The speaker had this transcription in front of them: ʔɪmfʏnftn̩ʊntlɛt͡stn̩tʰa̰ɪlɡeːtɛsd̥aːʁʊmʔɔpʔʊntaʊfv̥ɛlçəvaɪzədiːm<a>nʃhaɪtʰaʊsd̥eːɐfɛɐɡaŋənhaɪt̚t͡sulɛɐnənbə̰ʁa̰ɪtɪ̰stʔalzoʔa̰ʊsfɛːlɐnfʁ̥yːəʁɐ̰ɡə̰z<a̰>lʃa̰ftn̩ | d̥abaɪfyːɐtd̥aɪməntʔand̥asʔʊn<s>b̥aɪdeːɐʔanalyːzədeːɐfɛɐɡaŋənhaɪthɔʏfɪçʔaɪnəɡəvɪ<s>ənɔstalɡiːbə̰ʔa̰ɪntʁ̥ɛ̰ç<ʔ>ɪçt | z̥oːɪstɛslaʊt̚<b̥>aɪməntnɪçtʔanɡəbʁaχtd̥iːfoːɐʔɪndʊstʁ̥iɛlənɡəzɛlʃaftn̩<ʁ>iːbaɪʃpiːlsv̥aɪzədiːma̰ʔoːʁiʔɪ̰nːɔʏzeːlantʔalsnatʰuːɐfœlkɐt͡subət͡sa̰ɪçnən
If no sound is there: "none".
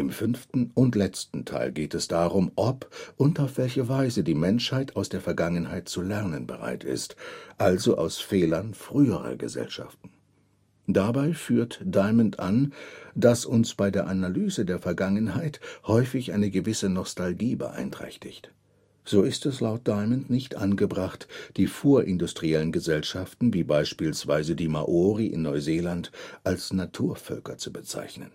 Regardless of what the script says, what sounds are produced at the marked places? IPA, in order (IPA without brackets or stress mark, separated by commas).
ɛ, ɛ̰, s, s, t, d̥, v